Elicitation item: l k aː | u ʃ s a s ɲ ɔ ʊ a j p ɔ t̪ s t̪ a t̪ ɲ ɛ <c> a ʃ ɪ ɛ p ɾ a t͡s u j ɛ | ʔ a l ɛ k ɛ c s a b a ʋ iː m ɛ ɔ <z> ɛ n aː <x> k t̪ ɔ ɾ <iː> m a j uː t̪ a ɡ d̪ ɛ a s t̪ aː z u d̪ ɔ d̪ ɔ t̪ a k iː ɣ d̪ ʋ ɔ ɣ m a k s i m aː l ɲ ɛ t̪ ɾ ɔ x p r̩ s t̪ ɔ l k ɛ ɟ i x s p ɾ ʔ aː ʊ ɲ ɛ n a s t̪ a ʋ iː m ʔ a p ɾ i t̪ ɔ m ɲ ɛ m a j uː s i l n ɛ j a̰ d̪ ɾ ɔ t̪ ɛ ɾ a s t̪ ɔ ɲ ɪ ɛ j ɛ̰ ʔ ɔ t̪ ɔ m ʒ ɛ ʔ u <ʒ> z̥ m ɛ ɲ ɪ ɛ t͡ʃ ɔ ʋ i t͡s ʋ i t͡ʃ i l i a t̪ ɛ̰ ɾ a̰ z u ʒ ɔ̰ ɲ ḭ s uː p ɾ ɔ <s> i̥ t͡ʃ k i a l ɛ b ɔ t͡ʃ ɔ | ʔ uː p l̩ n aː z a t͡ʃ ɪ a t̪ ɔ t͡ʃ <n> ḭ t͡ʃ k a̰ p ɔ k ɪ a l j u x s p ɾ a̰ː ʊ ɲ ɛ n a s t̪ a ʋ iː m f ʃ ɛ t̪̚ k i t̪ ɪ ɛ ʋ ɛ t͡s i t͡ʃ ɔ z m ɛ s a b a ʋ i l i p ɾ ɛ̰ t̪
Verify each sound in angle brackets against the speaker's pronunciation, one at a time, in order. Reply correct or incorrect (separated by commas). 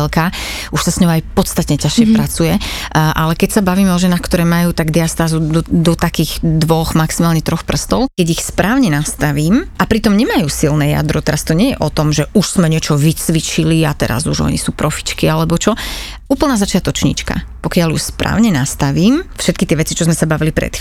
correct, incorrect, correct, incorrect, incorrect, incorrect, incorrect